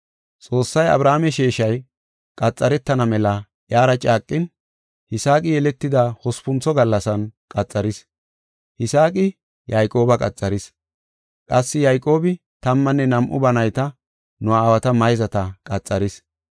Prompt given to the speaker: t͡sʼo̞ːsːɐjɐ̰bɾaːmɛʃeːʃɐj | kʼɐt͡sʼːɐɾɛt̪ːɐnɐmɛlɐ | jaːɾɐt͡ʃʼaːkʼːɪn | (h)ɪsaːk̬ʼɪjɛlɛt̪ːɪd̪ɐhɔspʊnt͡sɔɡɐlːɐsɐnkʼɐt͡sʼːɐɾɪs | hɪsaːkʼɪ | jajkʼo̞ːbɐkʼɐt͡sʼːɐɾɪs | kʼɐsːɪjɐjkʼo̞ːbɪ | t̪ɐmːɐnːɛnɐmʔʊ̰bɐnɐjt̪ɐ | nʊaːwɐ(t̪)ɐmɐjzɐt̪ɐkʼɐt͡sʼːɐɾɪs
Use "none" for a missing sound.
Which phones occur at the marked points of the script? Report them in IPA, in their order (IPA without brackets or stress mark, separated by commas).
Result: h, t̪